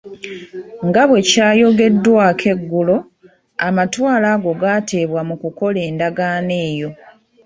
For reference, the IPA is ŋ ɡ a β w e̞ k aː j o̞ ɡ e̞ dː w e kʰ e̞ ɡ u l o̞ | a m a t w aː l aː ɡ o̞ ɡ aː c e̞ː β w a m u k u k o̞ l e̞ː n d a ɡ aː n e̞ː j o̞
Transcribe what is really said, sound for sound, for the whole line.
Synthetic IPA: ŋ ɡ a β w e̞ c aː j o̞ ɡ e̞ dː w a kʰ e̞ ɡː u l o̞ | a m a t w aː l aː ɡ o̞ ɡ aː t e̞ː β w a m u k u k o̞ l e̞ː n d a ɡ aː n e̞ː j o̞

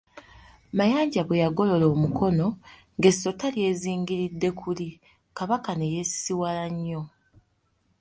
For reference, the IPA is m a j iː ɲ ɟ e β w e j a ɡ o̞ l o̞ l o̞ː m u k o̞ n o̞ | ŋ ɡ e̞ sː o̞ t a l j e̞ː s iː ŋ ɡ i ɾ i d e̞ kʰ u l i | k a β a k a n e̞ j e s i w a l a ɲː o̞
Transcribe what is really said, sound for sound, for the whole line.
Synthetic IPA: m a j aː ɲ ɟ a β w e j a ɡ o̞ l o̞ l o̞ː m u k o̞ n o̞ | ŋ ɡ e̞ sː o̞ t a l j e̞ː z iː ŋ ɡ i ɾ i dː e̞ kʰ u l i | k a β a k a n e̞ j e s i w a l a ɲː o̞

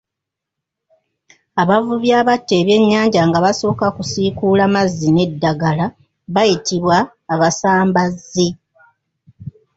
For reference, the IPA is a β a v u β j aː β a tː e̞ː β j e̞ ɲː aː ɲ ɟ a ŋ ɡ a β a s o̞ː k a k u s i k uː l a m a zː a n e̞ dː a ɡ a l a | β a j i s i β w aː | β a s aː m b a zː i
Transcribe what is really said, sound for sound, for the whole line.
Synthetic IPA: a β a v u β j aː β a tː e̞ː β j e̞ ɲː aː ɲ ɟ a ŋ ɡ a β a s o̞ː k a k u s i k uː l a m a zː i n e̞ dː a ɡ a l a | β a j i t i β w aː | β a s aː m b a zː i

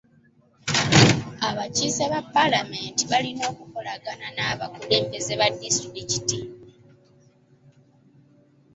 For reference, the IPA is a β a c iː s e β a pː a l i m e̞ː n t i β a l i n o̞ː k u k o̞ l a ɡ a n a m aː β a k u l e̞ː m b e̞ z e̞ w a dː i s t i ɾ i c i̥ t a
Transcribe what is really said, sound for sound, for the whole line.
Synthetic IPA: a β a c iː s e β a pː a l a m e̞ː n t i β a l i n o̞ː k u k o̞ l a ɡ a n a n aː β a k u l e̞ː m b e̞ z e̞ β a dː i s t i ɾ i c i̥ t i

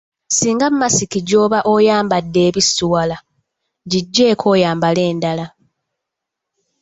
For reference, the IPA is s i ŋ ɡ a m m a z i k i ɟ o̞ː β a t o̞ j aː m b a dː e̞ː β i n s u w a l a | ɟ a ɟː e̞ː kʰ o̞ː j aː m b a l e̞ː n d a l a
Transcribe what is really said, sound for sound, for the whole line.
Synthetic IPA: s iː ŋ ɡ a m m a s i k i ɟ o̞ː β a ʔ o̞ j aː m b a dː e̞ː β i s u w a l a | ɟ i ɟː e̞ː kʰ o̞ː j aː m b a l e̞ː n d a l a

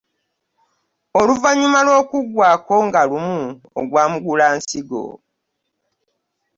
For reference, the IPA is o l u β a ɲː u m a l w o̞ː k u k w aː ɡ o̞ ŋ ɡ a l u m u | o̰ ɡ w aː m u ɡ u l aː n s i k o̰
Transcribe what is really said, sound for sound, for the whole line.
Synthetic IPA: o l u v a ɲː u m a l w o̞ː k u ɡ w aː k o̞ ŋ ɡ a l u m u | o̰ ɡ w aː m u ɡ u l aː n s i ɡ o̰

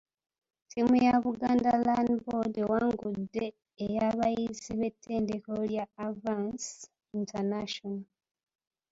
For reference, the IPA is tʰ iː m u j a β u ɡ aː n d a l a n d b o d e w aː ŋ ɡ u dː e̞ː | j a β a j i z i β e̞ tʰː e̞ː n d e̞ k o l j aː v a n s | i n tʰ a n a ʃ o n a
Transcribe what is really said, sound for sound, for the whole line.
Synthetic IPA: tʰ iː m u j a β u ɡ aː n d a l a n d b o d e w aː ŋ ɡ u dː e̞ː | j a β a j i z i β e̞ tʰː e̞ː n d e̞ k o l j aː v a n s | i n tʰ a n a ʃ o n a

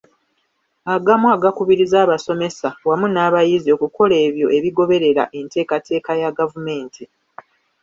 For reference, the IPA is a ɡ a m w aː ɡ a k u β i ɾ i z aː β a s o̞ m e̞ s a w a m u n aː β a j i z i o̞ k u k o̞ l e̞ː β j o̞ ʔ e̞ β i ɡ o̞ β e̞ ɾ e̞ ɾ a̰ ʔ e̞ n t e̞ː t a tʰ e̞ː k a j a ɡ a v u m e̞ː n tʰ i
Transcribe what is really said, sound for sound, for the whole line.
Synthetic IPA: a ɡ a m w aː ɡ a k u β i ɾ i z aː β a s o̞ m e̞ s a w a m u n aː β a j i z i o̞ k u k o̞ l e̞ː β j o̞ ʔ e̞ β i ɡ o̞ β e̞ ɾ e̞ ɾ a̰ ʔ e̞ n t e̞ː k a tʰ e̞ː k a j a ɡ a v u m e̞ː n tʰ i

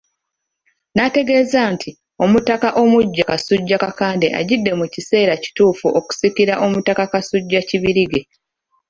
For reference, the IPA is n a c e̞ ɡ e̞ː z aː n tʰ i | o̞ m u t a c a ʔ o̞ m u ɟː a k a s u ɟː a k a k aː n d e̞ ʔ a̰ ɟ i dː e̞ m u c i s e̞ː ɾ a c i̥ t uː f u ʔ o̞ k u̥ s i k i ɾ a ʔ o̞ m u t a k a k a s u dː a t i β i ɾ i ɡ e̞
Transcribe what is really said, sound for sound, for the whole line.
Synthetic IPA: n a t e̞ ɡ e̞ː z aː n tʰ i | o̞ m u t a k a ʔ o̞ m u ɟː a k a s u ɟː a k a k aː n d e̞ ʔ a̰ ɟ i dː e̞ m u c i s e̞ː ɾ a c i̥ t uː f u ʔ o̞ k u̥ s i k i ɾ a ʔ o̞ m u t a k a k a s u ɟː a c i β i ɾ i ɡ e̞

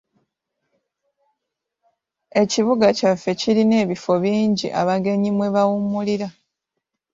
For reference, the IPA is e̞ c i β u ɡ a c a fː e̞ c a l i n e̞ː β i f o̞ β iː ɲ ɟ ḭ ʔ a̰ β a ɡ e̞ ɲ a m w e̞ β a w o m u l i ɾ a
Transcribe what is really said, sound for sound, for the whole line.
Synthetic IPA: e̞ c i β u ɡ a c a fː e̞ c i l i n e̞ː β i f o̞ β iː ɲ ɟ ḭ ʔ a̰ β a ɡ e̞ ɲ i m w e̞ β a w u m u l i ɾ a

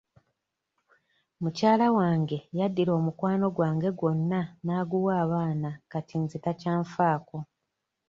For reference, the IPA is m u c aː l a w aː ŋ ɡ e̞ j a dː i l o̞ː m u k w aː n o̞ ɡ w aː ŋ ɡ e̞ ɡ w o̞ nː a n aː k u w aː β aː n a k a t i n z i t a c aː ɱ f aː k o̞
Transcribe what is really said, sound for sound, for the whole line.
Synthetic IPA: m u c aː l a w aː ŋ ɡ e̞ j a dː i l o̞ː m u k w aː n o̞ ɡ w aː ŋ ɡ e̞ ɡ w o̞ nː a n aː ɡ u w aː β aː n a k a t i n z i t a c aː ɱ f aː k o̞

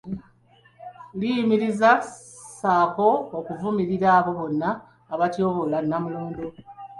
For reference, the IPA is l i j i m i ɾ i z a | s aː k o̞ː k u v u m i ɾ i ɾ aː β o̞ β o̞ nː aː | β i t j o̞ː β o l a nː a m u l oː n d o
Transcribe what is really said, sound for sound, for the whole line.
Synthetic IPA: l i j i m i ɾ i z a | s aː k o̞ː k u v u m i ɾ i ɾ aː β o̞ β o̞ nː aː | β a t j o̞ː β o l a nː a m u l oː n d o

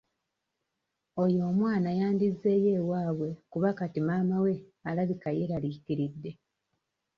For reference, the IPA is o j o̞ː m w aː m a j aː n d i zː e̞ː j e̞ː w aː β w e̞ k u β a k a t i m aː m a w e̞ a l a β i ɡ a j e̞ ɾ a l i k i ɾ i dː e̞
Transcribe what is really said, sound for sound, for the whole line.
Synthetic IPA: o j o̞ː m w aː n a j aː n d i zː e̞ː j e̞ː w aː β w e̞ k u β a k a t i m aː m a w e̞ a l a β i k a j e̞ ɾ a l i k i ɾ i dː e̞

